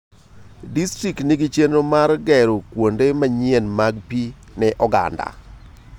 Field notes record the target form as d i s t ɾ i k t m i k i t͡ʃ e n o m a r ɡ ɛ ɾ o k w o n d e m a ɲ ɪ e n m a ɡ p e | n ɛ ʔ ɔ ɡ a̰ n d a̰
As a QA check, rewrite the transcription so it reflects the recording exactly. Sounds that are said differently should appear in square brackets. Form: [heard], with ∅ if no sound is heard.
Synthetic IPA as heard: d i s t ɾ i k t [n] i [ɡ] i t͡ʃ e n o m a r ɡ ɛ ɾ o k w o n d e m a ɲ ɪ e n m a ɡ p [i] | n ɛ ʔ ɔ ɡ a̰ n d a̰